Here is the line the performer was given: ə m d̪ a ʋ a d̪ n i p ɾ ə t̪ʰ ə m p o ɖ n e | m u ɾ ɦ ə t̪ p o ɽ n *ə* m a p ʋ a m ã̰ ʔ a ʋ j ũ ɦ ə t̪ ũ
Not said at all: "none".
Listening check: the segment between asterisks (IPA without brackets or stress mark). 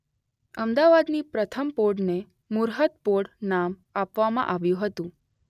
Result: a